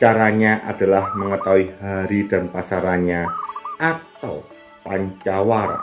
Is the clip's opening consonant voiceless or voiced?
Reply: voiceless